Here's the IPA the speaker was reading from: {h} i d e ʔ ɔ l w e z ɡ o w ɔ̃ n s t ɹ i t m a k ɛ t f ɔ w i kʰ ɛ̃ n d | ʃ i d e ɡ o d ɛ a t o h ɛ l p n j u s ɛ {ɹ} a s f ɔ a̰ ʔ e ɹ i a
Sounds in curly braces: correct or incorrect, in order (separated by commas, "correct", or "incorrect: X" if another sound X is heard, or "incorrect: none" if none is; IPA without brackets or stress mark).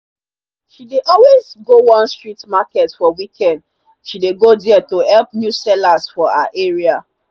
incorrect: ʃ, incorrect: l